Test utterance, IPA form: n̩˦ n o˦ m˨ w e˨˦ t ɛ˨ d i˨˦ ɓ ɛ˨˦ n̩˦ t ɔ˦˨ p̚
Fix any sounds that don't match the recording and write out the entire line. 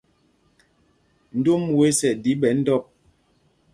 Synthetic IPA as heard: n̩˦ d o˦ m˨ w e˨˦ s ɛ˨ d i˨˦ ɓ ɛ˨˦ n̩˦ d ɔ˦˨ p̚